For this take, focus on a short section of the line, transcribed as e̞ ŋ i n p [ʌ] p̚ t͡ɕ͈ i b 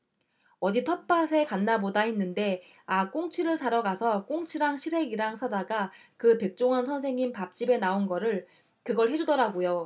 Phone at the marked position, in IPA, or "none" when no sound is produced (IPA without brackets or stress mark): a